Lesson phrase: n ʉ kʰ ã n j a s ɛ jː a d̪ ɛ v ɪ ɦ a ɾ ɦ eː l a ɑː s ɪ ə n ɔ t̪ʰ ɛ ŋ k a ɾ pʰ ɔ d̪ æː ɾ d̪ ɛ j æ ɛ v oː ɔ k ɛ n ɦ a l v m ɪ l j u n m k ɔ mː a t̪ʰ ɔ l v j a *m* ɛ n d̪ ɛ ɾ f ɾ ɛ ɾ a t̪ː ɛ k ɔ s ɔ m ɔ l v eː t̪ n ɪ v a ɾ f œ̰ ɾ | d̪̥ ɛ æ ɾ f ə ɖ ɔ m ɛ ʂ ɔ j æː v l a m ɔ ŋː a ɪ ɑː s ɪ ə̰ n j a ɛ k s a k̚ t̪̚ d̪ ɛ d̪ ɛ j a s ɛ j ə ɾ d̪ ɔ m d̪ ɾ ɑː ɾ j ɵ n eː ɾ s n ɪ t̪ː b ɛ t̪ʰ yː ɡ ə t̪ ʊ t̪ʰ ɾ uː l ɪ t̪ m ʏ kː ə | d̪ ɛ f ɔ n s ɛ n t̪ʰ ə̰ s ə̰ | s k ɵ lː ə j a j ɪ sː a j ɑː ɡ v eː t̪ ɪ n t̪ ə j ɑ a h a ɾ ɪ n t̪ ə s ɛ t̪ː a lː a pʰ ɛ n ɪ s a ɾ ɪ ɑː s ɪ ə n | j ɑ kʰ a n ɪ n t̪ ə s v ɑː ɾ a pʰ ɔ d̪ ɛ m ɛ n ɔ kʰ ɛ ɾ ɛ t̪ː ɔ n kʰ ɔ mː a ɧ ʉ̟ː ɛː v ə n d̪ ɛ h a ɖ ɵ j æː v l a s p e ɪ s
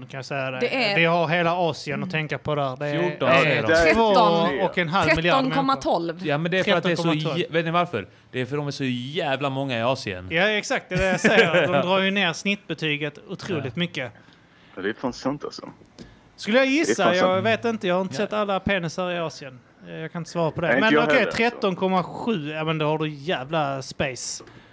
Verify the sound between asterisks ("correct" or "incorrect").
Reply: correct